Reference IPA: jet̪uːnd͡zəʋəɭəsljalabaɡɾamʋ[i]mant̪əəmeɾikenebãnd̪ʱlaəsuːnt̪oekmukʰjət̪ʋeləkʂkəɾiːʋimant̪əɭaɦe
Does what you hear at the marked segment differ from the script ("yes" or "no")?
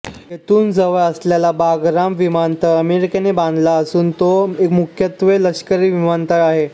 no